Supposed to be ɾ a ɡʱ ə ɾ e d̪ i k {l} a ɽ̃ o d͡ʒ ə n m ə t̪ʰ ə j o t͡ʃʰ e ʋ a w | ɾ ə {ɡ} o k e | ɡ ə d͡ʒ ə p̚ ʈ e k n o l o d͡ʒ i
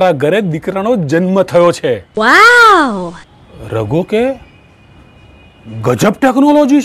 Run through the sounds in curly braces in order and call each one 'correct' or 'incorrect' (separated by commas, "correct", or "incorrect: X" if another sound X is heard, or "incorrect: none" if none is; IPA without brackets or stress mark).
incorrect: ɾ, correct